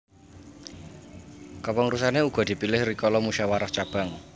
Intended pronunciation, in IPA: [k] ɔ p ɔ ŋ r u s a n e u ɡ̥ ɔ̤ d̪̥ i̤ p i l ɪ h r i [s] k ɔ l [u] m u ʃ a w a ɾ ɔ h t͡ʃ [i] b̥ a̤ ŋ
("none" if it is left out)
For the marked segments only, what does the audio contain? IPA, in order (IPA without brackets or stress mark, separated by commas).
k, none, ɔ, a